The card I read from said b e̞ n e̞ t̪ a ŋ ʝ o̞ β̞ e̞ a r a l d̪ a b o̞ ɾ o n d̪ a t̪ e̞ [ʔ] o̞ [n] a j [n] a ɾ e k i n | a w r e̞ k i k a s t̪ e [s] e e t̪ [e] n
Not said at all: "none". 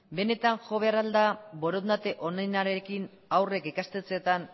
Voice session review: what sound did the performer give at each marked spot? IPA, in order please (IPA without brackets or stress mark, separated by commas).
ʔ, n, n, t͡s, a